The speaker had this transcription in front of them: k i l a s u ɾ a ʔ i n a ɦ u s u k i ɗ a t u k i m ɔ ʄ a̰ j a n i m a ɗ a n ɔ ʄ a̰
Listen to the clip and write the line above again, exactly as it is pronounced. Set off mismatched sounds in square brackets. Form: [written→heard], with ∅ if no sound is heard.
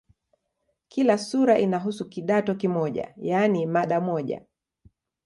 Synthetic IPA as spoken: k i l a s u ɾ a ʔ i n a ɦ u s u k i ɗ a t [u→ɔ] k i m ɔ ʄ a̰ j a n i m a ɗ a [n→m] ɔ ʄ a̰